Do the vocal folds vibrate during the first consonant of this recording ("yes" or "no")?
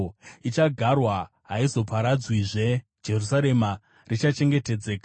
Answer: no